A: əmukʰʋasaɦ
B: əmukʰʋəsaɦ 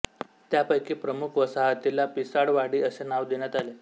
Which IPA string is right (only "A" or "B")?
B